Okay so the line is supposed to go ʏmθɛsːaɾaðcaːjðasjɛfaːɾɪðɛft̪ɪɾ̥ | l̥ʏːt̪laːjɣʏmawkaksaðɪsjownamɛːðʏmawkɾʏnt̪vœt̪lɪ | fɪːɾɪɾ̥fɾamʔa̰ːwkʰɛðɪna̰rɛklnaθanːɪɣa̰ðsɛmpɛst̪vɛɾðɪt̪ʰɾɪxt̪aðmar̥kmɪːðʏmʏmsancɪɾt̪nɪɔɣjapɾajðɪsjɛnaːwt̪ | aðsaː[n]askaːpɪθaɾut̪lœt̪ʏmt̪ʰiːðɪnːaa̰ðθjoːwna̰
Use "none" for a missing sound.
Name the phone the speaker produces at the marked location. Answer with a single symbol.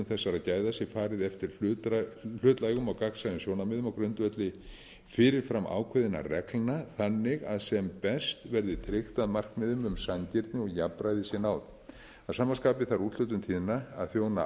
m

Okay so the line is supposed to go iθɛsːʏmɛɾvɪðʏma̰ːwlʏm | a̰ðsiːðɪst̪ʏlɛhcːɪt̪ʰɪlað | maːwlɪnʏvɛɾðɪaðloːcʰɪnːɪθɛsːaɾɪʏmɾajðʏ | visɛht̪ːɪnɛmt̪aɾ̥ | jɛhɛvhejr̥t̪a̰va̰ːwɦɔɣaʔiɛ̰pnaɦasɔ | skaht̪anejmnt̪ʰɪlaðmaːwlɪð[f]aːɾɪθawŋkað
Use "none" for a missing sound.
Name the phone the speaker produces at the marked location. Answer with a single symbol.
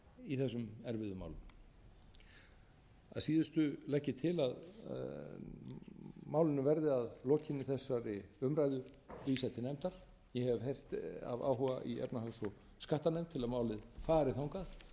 f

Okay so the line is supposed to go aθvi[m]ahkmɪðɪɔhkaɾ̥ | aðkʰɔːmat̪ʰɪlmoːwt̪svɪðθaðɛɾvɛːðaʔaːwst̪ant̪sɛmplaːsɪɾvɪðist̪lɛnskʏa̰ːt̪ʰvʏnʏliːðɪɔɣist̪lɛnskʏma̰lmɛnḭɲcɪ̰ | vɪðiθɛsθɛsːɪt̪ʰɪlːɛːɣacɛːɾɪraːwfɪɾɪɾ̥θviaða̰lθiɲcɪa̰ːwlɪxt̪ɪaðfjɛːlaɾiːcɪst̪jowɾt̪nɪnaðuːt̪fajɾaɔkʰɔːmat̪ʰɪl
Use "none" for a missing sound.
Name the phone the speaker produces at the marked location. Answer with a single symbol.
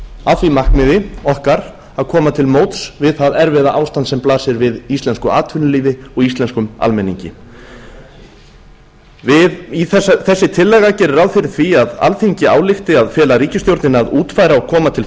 m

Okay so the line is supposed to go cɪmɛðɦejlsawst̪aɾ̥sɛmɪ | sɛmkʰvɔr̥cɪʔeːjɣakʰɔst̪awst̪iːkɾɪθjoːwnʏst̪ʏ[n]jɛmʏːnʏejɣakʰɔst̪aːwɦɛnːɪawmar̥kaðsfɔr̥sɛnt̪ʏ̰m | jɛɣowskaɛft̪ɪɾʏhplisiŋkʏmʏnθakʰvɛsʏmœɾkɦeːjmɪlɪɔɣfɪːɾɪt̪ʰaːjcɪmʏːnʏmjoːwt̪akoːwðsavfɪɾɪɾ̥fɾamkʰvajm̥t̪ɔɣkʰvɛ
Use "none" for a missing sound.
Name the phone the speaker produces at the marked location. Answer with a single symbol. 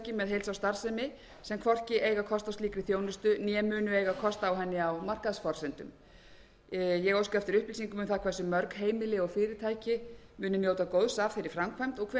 n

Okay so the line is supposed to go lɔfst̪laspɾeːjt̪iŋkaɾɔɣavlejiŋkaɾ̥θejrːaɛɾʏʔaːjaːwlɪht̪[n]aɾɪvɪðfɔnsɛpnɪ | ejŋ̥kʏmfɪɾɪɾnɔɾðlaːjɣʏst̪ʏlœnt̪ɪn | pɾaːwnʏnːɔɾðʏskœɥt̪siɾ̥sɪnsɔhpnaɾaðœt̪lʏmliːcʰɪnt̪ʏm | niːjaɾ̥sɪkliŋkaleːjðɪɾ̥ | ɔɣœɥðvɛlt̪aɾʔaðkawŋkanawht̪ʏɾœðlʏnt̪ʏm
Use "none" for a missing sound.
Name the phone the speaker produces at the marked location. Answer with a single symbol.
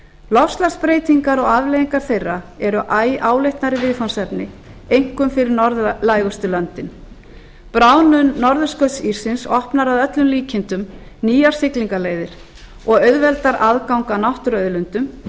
n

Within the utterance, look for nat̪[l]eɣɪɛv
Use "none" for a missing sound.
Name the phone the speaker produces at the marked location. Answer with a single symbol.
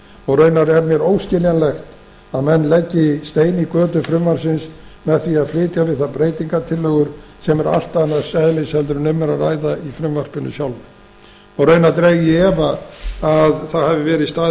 ɾ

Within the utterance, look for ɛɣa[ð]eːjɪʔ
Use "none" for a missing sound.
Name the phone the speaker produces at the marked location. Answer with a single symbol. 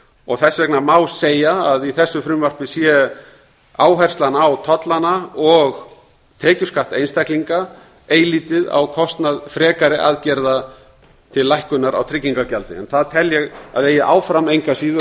ð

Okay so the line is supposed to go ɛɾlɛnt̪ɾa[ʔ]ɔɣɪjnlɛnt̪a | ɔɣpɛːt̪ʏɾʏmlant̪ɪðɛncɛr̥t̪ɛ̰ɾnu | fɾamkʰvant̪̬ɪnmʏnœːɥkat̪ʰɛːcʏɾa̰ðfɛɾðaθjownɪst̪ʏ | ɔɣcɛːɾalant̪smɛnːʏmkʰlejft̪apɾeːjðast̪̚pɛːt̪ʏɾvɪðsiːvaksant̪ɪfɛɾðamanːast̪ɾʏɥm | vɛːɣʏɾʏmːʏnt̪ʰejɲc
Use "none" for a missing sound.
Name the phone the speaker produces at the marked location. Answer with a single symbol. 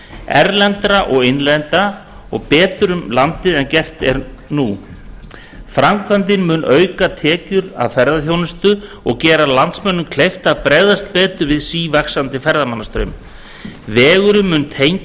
ʔ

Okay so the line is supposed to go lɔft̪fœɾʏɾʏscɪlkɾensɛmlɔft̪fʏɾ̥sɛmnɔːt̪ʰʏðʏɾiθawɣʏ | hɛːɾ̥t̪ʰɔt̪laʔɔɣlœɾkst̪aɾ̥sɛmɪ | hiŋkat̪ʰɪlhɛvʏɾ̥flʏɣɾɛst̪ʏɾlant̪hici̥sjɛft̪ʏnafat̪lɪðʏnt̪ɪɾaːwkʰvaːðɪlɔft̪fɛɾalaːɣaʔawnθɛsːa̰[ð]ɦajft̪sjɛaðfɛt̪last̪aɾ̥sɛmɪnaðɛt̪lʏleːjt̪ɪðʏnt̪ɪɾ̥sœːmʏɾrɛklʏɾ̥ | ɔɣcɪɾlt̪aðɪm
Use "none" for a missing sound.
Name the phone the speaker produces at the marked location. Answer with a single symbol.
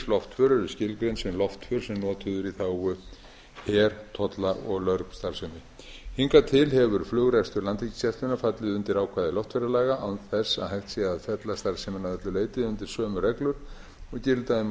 ð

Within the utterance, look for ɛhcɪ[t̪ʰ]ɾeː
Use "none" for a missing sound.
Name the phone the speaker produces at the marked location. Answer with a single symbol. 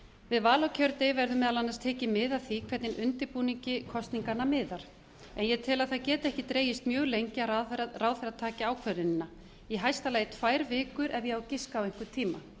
t̪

